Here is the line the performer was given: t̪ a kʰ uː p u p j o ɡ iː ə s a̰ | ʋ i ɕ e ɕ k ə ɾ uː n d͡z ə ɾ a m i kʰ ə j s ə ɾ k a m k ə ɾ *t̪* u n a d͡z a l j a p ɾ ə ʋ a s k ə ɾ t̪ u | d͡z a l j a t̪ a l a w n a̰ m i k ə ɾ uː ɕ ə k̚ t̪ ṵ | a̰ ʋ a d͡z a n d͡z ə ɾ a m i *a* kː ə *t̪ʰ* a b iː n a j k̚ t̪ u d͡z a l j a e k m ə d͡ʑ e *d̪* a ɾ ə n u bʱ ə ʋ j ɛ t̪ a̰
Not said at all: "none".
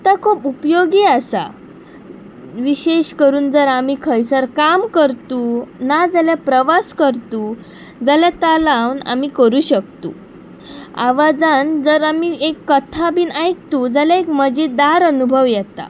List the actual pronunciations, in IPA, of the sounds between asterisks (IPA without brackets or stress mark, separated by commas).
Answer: t̪, e, t̪ʰ, d̪